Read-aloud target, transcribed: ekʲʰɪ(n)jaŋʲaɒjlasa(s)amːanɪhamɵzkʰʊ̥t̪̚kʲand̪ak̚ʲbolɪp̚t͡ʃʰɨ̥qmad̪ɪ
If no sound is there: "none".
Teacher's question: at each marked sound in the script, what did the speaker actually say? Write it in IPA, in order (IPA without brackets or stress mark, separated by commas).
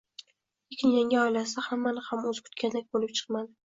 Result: n, h